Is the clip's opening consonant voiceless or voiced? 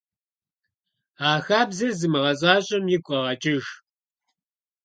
voiceless